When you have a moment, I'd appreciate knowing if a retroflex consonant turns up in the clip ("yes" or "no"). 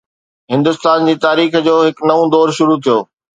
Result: no